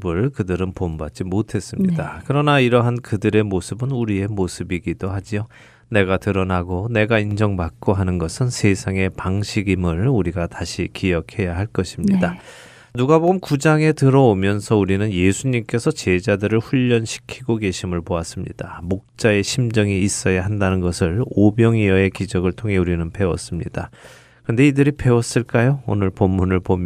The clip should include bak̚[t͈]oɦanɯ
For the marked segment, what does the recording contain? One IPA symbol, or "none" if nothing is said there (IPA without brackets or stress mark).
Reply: k͈